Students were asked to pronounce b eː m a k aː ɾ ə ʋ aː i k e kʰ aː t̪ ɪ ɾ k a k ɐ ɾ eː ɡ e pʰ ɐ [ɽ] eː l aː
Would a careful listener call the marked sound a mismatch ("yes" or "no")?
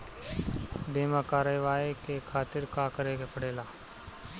no